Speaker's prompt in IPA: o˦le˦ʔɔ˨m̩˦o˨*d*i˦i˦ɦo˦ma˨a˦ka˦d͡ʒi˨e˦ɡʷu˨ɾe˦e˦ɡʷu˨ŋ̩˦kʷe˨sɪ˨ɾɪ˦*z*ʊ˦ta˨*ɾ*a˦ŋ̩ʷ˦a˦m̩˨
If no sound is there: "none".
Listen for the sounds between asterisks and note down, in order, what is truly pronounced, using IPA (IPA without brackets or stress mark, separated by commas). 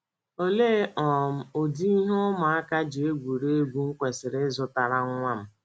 d, z, ɾ